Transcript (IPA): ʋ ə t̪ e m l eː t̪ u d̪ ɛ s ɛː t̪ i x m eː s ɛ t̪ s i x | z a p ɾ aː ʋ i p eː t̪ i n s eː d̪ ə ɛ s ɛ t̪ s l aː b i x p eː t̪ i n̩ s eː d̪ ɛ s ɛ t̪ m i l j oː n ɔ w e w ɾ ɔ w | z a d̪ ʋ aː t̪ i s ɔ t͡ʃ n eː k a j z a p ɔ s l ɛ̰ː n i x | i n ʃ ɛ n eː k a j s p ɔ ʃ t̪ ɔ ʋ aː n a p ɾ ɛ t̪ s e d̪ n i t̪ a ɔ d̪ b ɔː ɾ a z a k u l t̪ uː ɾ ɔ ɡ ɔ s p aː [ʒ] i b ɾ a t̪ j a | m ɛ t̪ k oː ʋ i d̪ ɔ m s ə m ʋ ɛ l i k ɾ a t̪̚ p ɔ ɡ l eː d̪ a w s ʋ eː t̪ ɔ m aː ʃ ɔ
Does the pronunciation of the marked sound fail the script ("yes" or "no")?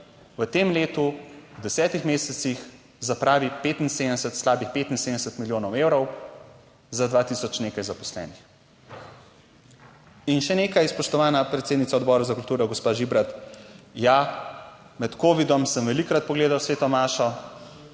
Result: no